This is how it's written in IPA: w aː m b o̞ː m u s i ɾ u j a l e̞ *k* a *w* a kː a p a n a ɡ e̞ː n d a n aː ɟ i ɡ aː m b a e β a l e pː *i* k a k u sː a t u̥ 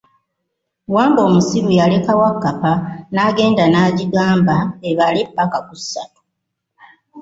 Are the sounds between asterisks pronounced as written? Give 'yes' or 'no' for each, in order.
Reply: yes, yes, no

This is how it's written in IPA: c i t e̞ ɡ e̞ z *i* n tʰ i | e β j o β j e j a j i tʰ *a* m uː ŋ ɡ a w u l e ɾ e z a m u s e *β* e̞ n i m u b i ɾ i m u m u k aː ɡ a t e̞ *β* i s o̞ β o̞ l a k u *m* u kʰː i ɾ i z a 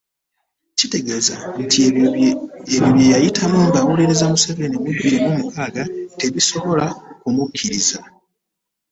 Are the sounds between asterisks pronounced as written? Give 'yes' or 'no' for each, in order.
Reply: no, yes, no, yes, yes

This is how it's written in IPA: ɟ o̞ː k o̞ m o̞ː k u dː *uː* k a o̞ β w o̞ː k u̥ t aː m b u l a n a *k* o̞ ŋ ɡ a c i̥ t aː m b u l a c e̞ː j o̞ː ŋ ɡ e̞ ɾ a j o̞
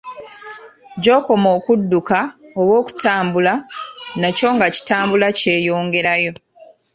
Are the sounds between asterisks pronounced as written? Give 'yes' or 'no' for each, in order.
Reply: no, no

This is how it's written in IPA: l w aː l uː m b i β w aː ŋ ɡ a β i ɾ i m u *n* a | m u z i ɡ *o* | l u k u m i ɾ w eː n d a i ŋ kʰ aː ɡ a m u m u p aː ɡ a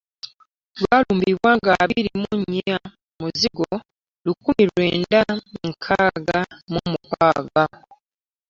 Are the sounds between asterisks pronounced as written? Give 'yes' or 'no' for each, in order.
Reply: no, yes

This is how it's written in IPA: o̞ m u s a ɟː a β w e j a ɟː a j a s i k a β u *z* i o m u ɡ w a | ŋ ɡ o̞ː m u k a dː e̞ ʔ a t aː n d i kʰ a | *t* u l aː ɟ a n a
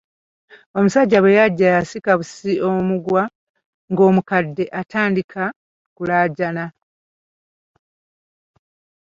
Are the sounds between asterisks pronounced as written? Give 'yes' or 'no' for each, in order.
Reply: no, no

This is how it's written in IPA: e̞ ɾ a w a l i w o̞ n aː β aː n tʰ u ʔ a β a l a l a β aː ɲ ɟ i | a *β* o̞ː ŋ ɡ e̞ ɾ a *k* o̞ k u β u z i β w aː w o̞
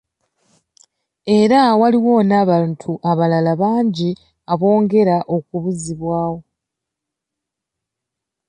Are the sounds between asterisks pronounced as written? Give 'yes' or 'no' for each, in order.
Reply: yes, no

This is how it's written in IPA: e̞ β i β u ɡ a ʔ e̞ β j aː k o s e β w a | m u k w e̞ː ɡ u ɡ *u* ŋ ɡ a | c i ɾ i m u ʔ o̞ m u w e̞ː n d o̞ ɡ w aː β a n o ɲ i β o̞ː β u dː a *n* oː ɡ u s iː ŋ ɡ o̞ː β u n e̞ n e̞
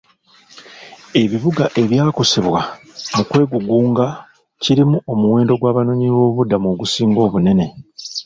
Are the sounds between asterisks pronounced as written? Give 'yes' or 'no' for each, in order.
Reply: no, no

